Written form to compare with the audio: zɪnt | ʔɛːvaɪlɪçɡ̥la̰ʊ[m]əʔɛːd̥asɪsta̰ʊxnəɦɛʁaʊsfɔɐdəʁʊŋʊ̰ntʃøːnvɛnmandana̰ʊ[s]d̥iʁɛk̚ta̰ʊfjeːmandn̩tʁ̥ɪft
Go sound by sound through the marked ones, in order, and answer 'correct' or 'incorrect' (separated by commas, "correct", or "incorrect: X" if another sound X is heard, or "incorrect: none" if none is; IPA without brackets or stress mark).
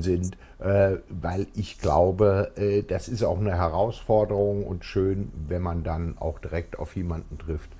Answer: incorrect: b, incorrect: x